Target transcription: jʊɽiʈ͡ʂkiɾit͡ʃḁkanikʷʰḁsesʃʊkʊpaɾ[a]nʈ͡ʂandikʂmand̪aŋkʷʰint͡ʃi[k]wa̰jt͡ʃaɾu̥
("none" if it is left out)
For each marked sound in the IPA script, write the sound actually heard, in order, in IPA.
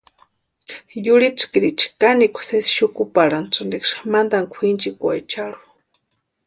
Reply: a, k

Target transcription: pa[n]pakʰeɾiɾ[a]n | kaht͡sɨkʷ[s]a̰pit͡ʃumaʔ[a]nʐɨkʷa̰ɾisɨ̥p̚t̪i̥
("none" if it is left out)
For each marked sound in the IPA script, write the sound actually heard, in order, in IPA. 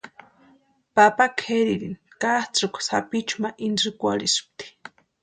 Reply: none, i, s, i

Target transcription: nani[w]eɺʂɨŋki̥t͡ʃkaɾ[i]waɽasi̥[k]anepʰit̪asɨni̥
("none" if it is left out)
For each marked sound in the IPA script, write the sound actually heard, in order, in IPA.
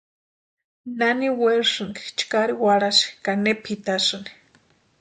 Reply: w, i, k

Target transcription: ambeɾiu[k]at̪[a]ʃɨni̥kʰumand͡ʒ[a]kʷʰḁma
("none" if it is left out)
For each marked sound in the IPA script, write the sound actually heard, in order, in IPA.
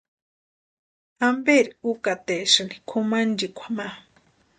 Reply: k, e, i

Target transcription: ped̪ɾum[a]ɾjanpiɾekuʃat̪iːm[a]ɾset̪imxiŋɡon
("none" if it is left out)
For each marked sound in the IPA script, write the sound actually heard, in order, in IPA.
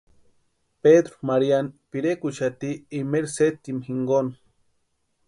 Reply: a, e

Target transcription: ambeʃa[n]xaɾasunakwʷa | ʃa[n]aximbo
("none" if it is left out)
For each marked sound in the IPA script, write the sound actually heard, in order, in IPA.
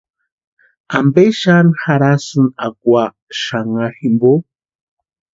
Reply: n, ŋ

